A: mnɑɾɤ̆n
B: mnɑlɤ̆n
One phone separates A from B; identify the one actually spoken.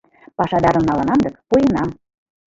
B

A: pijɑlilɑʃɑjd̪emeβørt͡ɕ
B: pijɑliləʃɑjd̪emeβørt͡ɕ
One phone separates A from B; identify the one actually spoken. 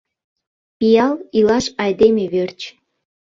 A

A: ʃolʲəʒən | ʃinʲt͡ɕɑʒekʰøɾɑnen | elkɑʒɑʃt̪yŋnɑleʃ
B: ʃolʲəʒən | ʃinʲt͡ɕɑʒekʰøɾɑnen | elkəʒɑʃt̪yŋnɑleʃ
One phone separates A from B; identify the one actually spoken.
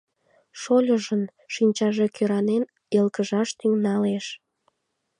B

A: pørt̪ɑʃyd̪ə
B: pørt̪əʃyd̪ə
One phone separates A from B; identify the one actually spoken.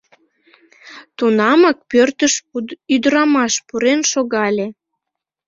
B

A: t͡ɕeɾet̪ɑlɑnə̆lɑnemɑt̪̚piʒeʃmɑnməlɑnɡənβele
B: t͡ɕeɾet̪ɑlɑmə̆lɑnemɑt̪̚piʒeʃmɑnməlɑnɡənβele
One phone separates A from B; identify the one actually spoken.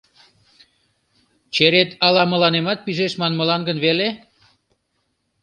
B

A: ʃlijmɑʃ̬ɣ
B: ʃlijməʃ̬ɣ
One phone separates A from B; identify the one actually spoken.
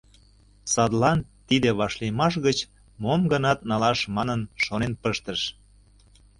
A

